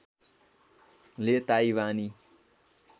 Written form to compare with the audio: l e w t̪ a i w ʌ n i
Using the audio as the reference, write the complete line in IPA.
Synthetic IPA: l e t̪ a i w a n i